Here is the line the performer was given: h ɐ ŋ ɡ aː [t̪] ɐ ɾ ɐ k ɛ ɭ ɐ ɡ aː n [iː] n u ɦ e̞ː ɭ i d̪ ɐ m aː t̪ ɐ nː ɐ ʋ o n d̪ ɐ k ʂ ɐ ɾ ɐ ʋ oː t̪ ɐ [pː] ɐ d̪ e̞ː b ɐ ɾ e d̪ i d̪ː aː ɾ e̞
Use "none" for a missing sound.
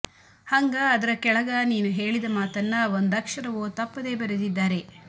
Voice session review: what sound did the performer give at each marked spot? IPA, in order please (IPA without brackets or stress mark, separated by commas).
d̪, iː, pː